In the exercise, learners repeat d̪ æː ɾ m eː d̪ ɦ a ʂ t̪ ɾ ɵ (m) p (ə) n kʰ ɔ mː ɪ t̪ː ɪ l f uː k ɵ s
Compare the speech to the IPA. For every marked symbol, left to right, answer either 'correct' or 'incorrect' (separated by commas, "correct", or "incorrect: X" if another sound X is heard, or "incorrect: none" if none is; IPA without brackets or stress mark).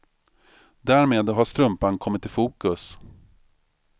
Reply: correct, incorrect: a